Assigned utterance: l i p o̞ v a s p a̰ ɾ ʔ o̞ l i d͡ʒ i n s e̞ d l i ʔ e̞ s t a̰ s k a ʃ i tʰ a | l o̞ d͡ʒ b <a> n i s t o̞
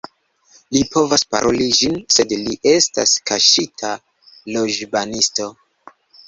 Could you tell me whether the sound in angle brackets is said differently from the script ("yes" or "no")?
no